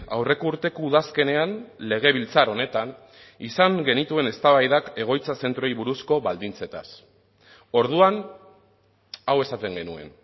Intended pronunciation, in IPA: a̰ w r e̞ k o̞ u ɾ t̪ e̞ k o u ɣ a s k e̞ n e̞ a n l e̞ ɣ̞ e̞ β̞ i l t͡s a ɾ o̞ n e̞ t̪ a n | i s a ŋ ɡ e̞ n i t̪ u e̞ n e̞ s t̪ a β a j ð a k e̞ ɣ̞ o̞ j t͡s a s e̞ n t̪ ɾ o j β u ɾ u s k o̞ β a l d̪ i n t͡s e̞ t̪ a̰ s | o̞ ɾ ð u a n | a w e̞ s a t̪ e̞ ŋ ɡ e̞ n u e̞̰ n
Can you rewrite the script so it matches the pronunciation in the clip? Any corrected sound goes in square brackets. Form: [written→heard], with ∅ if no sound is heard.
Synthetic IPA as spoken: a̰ w r e̞ k o̞ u ɾ t̪ e̞ k o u [ɣ→ð] a s k e̞ n e̞ a n l e̞ ɣ̞ e̞ β̞ i l t͡s a ɾ o̞ n e̞ t̪ a n | i s a ŋ ɡ e̞ n i t̪ u e̞ n e̞ s t̪ a β a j ð a k e̞ ɣ̞ o̞ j t͡s a s e̞ n t̪ ɾ o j β u ɾ u s k o̞ β a l d̪ i n t͡s e̞ t̪ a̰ s | o̞ ɾ ð u a n | a w e̞ s a t̪ e̞ ŋ ɡ e̞ n u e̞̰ n